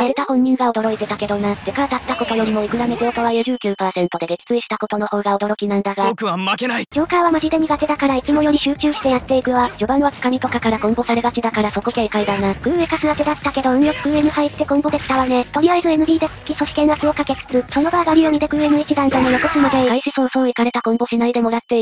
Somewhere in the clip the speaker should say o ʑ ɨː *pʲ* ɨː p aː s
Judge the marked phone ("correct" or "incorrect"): incorrect